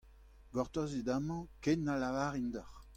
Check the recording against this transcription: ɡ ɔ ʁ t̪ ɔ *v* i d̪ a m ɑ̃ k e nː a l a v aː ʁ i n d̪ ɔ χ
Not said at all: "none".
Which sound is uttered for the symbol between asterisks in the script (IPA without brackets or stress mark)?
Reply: z